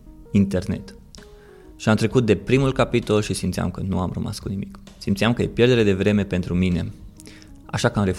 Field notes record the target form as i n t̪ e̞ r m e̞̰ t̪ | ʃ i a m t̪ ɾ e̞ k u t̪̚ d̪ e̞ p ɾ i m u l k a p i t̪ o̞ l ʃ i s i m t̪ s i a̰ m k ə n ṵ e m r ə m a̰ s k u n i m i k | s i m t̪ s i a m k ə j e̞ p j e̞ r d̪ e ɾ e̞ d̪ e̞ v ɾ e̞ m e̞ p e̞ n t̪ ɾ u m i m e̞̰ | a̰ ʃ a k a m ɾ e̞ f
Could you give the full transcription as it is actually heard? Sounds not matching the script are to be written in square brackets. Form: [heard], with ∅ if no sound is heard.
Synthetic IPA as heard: i n t̪ e̞ r [n] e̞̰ t̪ | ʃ i a m t̪ ɾ e̞ k u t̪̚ d̪ e̞ p ɾ i m u l k a p i t̪ o̞ l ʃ i s i m t̪ s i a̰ m k ə n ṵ [a] m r ə m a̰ s k u n i m i k | s i m t̪ s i a m k ə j e̞ p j e̞ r d̪ e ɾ e̞ d̪ e̞ v ɾ e̞ m e̞ p e̞ n t̪ ɾ u m i [n] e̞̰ | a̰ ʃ a k a m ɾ e̞ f